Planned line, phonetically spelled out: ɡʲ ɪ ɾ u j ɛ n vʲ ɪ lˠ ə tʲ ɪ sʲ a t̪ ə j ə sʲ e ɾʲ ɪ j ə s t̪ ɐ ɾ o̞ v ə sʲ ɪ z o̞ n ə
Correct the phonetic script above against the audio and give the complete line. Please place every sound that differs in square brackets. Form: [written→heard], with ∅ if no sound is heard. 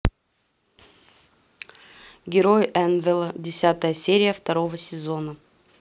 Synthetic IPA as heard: ɡʲ ɪ ɾ [u→o] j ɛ n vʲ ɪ lˠ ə [tʲ→dʲ] ɪ sʲ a t̪ ə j ə sʲ e ɾʲ ɪ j ə [s→f] t̪ ɐ ɾ o̞ v ə sʲ ɪ z o̞ n ə